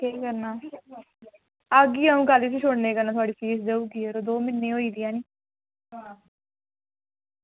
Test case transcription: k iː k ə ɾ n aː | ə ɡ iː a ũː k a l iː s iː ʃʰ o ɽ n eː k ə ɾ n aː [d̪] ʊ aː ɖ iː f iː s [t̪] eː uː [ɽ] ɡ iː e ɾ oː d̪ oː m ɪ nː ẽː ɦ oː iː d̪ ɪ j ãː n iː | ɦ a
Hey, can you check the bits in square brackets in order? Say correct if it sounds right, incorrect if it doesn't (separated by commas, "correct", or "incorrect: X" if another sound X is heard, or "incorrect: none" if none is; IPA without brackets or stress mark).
incorrect: t̪, incorrect: d̪, incorrect: none